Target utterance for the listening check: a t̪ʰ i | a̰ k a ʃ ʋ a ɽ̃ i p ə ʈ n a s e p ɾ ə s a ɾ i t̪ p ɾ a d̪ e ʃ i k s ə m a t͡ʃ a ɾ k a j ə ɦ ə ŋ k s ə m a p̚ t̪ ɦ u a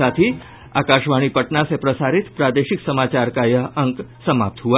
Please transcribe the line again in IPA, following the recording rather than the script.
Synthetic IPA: a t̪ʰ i | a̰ k a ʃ ʋ a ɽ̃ i p ə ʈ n a s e p ɾ ə s a ɾ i t̪ p ɾ a d̪ e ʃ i k s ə m a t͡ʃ a ɾ k a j ə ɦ ə ŋ k s ə m a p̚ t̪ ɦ u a